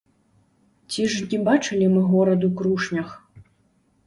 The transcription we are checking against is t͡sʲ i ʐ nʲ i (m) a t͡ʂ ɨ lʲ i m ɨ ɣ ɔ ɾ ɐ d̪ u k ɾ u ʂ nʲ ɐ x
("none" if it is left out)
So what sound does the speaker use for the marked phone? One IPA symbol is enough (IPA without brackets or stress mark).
b